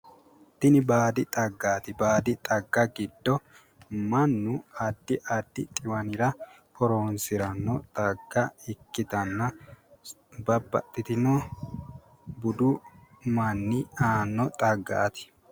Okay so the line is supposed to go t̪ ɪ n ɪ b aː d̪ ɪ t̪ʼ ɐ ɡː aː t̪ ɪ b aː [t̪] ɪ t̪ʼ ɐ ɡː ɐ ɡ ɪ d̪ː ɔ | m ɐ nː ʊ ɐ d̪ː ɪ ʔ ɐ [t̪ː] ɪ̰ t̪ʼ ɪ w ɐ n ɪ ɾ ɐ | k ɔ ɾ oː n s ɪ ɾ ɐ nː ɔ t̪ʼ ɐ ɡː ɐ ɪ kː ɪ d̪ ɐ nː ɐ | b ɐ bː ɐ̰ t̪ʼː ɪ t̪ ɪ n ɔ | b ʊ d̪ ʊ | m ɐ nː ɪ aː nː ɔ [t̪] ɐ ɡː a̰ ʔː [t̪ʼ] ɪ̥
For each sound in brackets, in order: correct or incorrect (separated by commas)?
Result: incorrect, incorrect, incorrect, incorrect